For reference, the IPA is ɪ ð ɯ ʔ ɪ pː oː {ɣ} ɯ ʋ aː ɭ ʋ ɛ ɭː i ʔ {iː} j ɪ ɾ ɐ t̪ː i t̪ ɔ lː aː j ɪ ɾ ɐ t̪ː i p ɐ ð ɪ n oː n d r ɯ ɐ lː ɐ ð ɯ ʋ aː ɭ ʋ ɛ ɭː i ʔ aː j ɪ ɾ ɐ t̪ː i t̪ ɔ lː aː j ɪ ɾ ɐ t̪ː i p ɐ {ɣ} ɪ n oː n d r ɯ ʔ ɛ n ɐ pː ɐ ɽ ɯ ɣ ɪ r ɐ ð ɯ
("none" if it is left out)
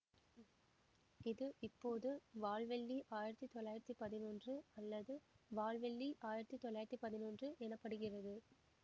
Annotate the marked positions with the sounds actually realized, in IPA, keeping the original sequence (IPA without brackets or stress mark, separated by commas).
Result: ð, aː, ð